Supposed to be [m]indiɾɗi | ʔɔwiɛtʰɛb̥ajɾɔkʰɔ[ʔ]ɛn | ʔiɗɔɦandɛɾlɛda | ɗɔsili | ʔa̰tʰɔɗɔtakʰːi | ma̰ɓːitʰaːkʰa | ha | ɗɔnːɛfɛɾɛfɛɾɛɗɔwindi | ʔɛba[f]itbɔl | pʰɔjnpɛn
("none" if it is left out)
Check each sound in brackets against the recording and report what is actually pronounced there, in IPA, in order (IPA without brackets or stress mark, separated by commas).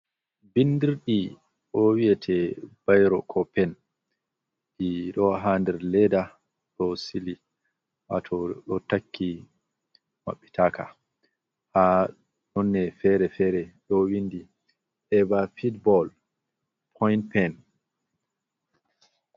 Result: b, p, f